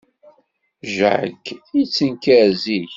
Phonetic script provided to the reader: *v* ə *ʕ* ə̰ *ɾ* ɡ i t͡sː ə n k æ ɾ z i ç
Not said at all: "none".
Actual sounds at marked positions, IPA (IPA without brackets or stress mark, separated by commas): ʒ, ʕ, none